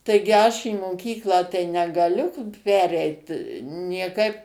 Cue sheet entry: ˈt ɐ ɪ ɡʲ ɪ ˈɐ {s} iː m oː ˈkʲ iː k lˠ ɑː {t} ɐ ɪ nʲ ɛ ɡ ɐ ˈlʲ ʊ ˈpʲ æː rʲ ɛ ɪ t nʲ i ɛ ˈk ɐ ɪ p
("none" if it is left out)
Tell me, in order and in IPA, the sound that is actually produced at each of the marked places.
ʃ, t

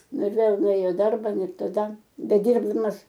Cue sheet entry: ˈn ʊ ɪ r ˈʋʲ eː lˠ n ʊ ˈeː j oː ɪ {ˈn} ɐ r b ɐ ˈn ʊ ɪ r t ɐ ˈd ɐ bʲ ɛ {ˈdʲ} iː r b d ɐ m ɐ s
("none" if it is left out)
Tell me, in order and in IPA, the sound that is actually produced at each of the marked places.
d, dʲ

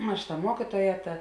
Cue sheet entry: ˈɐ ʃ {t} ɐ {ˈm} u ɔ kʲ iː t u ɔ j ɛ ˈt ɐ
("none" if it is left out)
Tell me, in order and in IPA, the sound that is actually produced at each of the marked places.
t, m

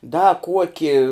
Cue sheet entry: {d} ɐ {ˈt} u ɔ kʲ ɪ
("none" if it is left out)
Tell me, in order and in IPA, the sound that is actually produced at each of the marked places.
d, k

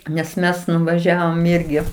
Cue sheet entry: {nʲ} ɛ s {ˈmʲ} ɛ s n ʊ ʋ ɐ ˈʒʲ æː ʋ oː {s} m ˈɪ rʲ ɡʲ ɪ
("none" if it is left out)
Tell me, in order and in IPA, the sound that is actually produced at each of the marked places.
nʲ, mʲ, none

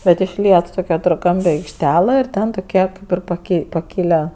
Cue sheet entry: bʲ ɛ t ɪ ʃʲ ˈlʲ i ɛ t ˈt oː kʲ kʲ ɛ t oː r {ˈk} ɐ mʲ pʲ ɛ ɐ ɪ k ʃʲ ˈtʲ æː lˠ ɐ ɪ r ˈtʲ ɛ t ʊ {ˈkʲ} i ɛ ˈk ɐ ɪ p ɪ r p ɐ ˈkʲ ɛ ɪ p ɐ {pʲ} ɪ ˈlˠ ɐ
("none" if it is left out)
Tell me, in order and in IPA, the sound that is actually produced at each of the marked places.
k, kʲ, kʲ

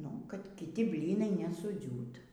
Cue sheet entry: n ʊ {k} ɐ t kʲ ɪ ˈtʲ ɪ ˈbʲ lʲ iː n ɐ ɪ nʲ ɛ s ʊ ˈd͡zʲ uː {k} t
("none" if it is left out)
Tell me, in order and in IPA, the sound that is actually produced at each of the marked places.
k, none

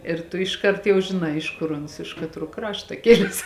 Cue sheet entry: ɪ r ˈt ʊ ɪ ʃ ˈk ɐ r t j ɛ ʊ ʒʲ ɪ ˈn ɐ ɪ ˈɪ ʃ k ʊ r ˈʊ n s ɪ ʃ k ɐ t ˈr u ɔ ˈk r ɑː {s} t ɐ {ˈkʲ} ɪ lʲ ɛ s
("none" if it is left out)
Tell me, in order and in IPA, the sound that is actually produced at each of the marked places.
ʃ, kʲ

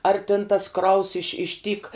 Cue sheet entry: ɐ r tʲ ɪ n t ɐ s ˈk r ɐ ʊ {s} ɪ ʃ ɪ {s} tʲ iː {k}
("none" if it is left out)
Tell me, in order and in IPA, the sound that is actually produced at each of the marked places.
s, ʃ, k

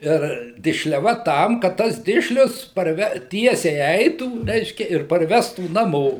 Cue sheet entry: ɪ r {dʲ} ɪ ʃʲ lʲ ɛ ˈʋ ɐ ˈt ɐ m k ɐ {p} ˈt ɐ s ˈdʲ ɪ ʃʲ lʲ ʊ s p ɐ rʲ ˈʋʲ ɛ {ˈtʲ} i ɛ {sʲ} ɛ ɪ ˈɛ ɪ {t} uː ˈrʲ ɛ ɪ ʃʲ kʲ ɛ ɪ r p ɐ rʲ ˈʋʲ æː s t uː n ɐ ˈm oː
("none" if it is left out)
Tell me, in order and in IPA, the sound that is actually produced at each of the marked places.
dʲ, t, tʲ, sʲ, t

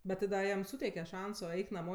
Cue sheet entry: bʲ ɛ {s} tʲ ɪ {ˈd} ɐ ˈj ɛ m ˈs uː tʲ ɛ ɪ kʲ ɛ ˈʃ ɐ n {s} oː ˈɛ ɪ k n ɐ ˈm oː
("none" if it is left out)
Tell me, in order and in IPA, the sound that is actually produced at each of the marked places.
t, d, s

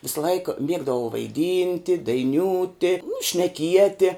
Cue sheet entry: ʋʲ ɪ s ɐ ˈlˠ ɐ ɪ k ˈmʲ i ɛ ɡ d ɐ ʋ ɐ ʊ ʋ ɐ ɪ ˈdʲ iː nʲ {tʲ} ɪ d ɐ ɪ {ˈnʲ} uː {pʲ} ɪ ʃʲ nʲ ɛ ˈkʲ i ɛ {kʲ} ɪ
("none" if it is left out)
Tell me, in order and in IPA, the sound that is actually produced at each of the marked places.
tʲ, nʲ, tʲ, tʲ

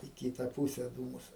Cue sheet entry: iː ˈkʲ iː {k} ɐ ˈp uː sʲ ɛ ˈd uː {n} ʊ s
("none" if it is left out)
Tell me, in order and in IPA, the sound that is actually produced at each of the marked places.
t, m

